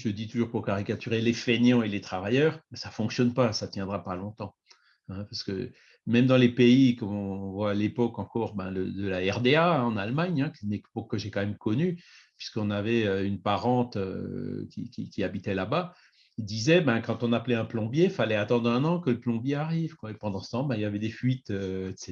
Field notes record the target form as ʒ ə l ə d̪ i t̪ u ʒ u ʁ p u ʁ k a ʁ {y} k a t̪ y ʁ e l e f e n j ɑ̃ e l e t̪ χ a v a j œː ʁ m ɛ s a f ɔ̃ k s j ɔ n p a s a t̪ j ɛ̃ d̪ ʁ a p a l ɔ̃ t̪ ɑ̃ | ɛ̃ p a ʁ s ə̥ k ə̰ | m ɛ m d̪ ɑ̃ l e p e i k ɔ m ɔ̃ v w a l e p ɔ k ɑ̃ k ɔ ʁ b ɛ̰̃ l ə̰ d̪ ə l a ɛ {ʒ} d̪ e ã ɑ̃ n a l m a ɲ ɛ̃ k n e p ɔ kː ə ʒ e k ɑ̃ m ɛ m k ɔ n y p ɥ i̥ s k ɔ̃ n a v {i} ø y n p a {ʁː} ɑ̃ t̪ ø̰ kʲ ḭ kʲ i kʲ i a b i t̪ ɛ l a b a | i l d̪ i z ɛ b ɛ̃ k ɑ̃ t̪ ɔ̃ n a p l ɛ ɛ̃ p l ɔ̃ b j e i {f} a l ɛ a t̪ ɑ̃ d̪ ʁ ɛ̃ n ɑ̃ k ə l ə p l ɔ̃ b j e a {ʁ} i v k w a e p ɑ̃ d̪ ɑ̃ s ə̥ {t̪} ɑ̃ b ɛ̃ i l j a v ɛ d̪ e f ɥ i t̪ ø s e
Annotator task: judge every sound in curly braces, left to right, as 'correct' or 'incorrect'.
incorrect: i, incorrect: ʁ, incorrect: ɛ, incorrect: ʁ, correct, correct, correct

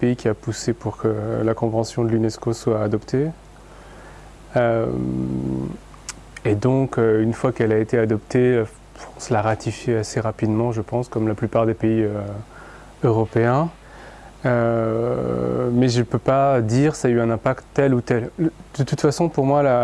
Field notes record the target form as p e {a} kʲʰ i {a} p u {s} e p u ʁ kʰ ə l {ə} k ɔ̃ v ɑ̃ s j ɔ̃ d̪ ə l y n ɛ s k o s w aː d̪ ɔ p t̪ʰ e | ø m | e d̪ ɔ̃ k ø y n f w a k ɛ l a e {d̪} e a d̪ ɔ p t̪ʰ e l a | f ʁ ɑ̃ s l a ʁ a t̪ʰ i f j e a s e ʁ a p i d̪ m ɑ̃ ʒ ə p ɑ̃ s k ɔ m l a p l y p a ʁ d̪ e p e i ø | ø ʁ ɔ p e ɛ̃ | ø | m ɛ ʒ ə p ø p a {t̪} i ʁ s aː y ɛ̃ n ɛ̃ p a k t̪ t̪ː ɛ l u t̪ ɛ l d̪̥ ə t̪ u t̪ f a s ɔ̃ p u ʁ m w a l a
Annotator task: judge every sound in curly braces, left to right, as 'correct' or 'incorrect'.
incorrect: i, correct, correct, incorrect: a, incorrect: t̪, incorrect: d̪

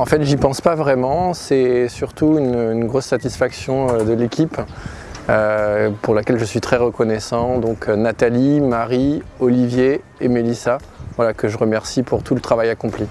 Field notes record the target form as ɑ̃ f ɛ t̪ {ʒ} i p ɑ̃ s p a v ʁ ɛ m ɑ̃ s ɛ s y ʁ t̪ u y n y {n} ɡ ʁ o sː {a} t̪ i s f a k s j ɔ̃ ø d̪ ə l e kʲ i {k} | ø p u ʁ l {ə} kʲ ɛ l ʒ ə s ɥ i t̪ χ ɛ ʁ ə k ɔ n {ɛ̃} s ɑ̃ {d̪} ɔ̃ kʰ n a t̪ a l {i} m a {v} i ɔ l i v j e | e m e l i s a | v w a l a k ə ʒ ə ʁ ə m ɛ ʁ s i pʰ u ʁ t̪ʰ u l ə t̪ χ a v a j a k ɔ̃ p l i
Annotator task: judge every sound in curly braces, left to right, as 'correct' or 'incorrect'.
correct, correct, correct, incorrect: p, incorrect: a, incorrect: ɛ, correct, correct, incorrect: ʁ

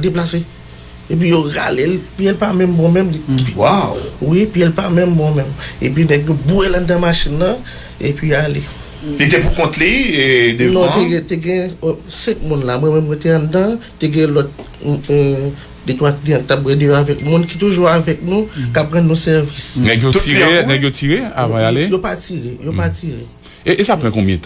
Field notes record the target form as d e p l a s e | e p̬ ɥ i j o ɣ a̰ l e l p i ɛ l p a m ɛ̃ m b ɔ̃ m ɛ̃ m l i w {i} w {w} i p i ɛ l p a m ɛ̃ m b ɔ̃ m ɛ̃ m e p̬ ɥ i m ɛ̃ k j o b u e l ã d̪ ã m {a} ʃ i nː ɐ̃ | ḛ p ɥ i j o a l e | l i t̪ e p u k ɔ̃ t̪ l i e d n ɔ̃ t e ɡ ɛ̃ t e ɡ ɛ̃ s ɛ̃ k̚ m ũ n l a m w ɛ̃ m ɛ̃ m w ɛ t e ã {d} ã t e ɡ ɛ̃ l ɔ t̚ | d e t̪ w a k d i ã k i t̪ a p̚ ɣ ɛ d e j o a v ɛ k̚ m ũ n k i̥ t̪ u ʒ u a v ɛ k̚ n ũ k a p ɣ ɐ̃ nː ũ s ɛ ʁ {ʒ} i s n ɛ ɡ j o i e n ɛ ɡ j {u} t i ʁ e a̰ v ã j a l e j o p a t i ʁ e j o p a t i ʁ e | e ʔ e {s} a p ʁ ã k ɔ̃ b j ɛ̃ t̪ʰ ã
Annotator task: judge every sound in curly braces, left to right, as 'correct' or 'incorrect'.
incorrect: a, correct, correct, correct, incorrect: v, incorrect: o, correct

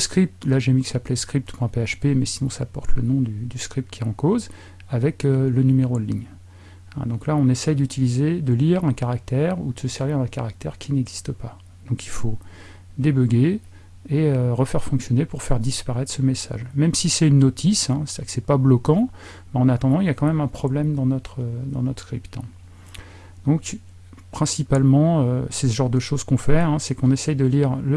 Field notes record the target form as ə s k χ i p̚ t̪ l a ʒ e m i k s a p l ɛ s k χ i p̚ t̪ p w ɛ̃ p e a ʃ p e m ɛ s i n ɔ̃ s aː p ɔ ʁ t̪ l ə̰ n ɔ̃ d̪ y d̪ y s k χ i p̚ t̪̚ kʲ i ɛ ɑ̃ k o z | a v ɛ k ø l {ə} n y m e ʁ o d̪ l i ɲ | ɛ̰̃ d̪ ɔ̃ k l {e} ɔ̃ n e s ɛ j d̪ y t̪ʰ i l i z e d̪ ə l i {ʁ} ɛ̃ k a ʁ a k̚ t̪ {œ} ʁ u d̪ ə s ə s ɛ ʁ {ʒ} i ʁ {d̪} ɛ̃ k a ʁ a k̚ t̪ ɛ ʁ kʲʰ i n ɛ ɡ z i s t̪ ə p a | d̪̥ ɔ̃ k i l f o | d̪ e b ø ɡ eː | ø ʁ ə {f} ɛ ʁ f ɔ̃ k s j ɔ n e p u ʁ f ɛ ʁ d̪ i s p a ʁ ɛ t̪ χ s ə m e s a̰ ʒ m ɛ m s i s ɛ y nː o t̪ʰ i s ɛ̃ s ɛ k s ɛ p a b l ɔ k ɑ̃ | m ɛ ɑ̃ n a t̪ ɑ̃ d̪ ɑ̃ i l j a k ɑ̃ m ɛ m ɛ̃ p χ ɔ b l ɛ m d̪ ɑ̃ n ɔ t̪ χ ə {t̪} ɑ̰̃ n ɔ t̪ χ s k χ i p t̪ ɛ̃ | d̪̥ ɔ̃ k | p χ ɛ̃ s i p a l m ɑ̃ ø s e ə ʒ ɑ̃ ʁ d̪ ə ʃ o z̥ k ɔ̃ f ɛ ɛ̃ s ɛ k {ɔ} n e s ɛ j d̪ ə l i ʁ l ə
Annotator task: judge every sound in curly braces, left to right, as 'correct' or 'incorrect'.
correct, incorrect: a, correct, incorrect: ɛ, incorrect: v, correct, correct, incorrect: d̪, incorrect: ɔ̃

